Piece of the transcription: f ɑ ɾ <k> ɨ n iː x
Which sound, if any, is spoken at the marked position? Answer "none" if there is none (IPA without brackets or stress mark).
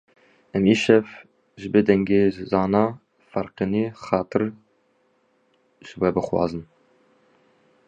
q